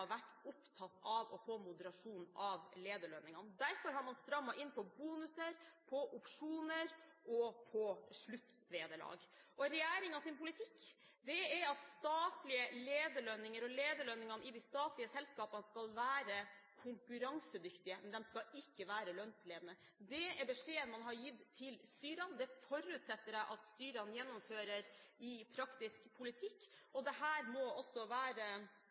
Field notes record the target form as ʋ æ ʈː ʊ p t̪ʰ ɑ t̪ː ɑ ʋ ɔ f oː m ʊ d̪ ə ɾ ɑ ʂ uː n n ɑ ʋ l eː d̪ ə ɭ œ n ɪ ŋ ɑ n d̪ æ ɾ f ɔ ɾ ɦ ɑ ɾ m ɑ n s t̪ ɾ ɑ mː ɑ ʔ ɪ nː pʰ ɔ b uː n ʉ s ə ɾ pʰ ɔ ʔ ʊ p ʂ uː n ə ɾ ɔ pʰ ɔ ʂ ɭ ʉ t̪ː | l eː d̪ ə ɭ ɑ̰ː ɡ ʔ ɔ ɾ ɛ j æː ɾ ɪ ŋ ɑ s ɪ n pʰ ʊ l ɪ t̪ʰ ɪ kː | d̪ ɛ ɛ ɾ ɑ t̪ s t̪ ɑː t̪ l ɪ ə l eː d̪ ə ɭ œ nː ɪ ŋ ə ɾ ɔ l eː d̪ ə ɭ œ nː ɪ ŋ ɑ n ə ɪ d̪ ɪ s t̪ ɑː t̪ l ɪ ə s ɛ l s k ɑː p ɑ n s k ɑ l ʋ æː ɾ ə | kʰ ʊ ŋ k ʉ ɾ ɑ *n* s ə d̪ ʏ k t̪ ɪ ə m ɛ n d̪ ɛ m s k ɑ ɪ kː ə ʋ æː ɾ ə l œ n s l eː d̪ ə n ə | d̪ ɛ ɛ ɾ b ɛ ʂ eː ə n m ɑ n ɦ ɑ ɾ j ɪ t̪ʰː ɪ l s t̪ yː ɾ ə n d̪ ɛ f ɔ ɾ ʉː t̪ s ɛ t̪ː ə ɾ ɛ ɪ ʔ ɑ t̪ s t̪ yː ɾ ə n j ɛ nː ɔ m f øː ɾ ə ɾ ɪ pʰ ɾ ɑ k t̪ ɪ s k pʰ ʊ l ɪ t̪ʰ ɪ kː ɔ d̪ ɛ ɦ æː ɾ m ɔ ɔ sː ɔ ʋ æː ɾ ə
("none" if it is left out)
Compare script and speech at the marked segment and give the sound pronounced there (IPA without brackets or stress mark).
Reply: ŋ